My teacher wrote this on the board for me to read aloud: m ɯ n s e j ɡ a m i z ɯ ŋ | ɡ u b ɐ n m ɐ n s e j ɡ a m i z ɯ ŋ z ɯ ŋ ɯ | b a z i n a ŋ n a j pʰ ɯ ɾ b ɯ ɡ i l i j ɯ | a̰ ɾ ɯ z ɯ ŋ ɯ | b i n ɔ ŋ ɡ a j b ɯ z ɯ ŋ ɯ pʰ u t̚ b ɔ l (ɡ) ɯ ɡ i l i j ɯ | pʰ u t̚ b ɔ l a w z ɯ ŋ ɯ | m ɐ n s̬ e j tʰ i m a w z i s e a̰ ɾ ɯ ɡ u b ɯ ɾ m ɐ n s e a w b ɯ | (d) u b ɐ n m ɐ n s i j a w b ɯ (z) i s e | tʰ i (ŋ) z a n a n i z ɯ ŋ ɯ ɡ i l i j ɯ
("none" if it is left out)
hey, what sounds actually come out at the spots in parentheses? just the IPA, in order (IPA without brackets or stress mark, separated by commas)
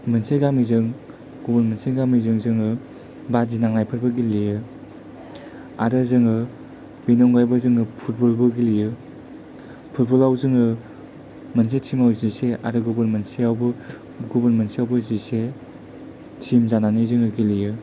b, ɡ, z, m